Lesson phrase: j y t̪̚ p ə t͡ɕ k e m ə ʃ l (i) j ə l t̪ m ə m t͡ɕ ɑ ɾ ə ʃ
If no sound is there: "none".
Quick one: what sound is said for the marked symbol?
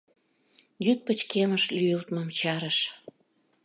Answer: y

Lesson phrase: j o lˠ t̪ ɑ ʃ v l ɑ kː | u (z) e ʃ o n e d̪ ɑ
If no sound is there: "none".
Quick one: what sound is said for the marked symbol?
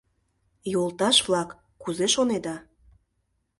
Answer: z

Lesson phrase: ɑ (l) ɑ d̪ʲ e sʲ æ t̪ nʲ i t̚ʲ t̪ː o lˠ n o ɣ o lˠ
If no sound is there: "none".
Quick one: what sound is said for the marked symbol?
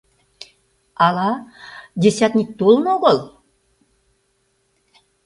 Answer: l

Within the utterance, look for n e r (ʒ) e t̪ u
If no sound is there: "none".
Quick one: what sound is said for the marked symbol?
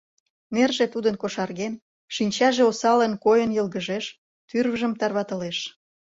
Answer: ʒ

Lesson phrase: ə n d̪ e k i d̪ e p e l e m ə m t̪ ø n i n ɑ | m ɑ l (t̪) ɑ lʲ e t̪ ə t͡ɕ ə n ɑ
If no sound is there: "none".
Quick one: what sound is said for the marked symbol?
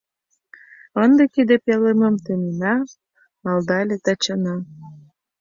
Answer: d̪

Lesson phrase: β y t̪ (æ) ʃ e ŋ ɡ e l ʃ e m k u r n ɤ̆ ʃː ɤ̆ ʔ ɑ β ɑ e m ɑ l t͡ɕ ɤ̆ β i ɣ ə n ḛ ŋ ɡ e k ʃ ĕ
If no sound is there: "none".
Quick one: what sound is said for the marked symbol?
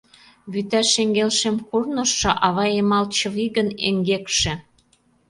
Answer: æ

